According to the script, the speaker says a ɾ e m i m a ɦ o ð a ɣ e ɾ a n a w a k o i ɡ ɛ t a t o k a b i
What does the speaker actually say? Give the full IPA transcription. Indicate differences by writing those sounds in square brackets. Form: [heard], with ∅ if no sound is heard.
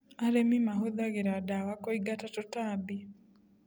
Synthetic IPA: a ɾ e m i m a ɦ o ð a ɣ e ɾ a [d] a w a k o i ɡ [a] t a t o [t] a b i